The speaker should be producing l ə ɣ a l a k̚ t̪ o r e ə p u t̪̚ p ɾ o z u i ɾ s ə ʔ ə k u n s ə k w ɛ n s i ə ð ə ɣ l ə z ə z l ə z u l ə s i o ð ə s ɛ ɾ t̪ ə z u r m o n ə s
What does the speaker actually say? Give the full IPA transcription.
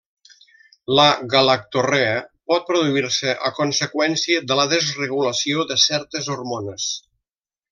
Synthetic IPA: l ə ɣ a l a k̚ t̪ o r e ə p ɔ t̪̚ p ɾ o ð u i ɾ s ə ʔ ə k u n s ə k w ɛ n s i ə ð ə l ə ð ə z r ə ɣ u l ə s i o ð ə s ɛ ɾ t̪ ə z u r m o n ə s